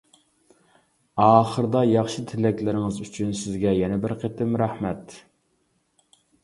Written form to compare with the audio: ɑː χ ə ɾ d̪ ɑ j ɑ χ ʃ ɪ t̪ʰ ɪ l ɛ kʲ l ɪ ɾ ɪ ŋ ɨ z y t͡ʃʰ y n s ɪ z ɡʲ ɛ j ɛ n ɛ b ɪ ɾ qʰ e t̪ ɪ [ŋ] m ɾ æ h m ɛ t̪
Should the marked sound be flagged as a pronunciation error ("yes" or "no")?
yes